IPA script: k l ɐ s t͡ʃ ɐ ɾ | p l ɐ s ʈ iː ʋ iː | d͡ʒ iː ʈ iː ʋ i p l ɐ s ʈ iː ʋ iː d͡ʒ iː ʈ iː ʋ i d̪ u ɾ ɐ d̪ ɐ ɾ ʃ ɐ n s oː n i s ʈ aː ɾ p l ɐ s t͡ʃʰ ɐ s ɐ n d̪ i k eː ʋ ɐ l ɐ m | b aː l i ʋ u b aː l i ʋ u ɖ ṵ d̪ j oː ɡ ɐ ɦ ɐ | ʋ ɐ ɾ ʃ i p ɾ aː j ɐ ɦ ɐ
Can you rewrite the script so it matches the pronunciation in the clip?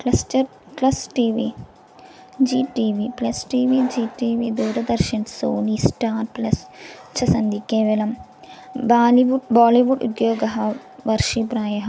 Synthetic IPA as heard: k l ɐ s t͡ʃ ɐ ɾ | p l ɐ s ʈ iː ʋ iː | d͡ʒ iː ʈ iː ʋ i p l ɐ s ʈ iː ʋ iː d͡ʒ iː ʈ iː ʋ i d̪ uː ɾ ɐ d̪ ɐ ɾ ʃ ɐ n s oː n i s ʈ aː ɾ p l ɐ s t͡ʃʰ ɐ s ɐ n d̪ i k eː ʋ ɐ l ɐ m | b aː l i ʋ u b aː l i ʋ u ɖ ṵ d̪ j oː ɡ ɐ ɦ ɐ | ʋ ɐ ɾ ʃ i p ɾ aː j ɐ ɦ ɐ